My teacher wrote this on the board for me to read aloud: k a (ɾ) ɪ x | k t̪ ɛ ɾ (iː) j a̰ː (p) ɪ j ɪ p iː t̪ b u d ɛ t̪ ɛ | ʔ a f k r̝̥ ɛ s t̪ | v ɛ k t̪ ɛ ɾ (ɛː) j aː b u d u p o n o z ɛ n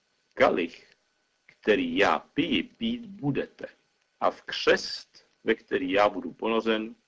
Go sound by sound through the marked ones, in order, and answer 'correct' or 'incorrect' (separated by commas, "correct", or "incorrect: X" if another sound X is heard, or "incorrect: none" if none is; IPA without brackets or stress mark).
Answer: incorrect: l, correct, correct, incorrect: iː